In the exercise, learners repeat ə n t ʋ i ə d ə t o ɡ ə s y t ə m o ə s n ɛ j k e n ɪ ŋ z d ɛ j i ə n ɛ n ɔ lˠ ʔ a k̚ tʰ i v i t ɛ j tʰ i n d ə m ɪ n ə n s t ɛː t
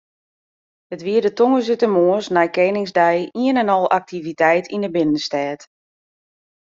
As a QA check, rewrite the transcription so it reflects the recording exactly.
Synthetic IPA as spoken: ə t ʋ i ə d ə t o ŋ ə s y t ə m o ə s n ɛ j k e n ɪ ŋ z d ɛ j i ə n ɛ n ɔ lˠ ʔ a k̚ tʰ i v i t ɛ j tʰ i n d ə b ɪ n ə n s t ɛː t